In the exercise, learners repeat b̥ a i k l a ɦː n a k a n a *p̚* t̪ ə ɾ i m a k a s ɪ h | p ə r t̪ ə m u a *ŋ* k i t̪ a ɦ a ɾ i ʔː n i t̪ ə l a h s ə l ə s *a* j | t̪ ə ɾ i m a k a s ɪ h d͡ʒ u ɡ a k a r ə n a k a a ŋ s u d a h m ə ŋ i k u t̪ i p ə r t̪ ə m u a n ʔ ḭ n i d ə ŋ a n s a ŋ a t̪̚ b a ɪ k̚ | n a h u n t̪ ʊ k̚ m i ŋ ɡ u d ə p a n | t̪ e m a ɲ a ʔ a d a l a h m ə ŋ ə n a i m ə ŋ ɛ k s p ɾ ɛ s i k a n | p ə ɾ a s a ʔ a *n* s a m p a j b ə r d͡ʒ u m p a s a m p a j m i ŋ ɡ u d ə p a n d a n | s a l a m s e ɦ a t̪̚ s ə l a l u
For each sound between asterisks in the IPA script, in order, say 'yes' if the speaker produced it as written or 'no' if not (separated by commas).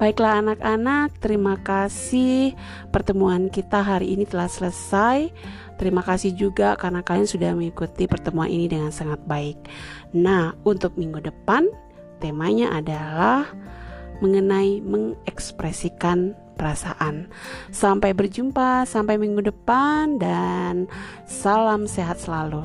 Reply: no, no, yes, yes